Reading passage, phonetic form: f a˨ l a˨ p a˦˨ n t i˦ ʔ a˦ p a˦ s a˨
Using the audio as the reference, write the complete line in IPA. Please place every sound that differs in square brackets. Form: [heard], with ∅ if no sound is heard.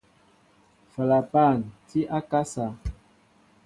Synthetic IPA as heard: f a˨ l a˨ p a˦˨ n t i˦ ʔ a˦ [k] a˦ s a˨